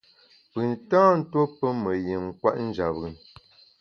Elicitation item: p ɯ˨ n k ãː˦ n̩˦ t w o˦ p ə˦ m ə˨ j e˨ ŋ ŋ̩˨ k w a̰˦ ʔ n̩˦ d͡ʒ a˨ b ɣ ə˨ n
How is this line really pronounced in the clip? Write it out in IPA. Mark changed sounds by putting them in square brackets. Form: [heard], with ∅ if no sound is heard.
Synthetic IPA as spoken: p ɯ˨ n [t] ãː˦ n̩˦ t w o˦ p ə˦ m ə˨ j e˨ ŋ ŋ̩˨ k w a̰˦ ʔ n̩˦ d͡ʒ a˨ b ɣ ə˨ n